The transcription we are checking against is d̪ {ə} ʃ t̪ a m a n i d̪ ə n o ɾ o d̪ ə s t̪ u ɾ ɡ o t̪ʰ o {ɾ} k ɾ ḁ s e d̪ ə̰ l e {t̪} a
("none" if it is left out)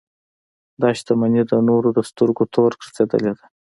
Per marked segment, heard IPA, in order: ɑ, ɾ, d̪

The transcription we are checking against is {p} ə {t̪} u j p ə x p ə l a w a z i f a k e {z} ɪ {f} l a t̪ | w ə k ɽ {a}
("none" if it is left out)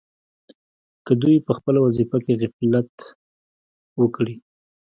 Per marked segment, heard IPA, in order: k, d̪, ɣ, f, i

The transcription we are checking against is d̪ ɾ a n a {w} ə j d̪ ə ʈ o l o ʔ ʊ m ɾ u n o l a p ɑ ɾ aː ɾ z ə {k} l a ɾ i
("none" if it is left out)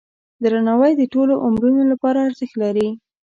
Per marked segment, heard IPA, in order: w, x

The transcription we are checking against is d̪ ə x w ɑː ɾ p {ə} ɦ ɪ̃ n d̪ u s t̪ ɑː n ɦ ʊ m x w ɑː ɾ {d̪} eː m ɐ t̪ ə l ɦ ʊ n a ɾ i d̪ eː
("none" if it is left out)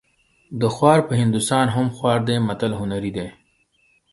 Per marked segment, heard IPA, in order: ə, d̪

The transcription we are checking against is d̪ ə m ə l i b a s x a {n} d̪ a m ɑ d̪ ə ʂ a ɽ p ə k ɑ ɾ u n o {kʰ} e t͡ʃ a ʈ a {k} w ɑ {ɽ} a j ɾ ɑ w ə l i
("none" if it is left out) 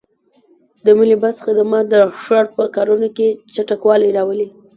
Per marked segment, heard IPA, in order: none, k, k, l

